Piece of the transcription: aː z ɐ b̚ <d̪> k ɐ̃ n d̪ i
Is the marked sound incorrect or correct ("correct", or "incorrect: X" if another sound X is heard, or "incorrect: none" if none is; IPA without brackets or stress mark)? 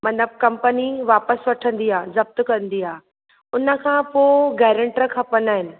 incorrect: t̪